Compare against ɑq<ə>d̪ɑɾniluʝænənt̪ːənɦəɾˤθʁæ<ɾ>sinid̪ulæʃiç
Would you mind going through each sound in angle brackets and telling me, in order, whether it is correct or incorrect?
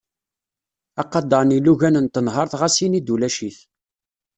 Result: incorrect: ɑ, incorrect: none

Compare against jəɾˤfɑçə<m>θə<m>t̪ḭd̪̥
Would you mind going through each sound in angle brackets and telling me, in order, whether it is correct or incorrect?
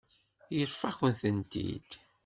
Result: incorrect: n, incorrect: n

